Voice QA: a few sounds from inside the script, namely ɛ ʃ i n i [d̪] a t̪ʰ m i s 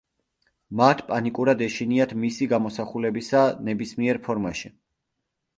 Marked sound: incorrect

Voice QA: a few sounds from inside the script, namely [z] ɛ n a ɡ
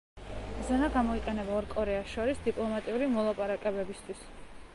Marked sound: correct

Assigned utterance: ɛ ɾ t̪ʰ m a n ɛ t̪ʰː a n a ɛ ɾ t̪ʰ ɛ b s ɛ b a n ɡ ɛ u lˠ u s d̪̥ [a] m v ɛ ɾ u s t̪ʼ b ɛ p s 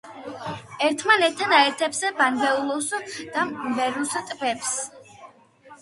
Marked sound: correct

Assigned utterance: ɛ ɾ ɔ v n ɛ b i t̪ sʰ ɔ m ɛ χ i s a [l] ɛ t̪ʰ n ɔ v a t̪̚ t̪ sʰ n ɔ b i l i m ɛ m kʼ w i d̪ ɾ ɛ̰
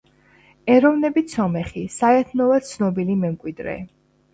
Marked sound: incorrect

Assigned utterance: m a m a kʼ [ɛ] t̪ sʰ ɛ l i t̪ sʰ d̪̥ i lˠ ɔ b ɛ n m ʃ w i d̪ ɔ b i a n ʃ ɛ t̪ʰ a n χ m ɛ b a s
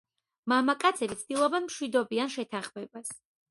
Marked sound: incorrect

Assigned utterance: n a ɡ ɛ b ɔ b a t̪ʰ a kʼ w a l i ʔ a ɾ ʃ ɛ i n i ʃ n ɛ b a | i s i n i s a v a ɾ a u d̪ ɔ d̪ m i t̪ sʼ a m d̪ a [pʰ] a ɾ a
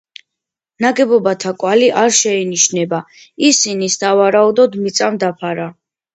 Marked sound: correct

